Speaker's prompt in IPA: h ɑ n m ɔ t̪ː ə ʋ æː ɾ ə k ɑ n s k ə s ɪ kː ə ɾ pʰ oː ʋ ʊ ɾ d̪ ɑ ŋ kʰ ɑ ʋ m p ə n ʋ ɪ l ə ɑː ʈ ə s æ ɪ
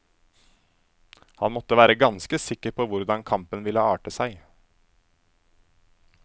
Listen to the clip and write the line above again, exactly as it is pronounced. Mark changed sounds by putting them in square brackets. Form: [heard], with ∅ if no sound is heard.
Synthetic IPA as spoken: h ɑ n m ɔ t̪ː ə ʋ æː ɾ ə [ɡ] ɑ n s k ə s ɪ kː ə ɾ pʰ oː ʋ ʊ ɾ d̪ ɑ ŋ kʰ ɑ [∅] m p ə n ʋ ɪ l ə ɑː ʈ ə s æ ɪ